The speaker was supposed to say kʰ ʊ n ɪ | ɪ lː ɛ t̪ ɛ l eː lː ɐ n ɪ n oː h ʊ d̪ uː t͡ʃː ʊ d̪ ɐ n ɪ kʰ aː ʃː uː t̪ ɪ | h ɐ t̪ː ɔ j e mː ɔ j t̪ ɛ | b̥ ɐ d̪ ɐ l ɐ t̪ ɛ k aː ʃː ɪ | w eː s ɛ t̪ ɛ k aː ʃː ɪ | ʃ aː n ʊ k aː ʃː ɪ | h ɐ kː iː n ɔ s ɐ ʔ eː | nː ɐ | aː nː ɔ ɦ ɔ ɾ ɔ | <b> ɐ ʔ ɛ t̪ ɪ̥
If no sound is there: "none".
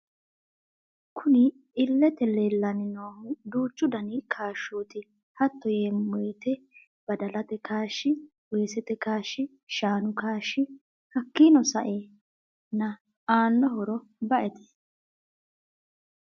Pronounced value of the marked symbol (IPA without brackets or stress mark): b